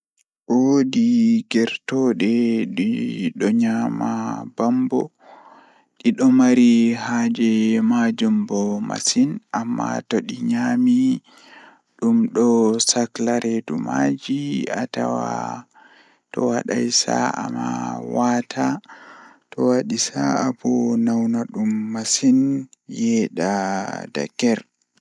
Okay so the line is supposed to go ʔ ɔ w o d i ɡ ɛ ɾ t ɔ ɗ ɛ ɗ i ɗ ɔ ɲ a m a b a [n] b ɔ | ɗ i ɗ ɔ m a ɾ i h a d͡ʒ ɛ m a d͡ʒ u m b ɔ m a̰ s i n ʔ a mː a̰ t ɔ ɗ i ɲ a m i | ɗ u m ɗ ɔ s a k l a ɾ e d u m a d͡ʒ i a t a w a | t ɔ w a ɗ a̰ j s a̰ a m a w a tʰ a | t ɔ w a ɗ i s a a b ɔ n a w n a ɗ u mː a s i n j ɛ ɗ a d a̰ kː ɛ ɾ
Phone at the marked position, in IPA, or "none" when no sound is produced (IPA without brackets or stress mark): m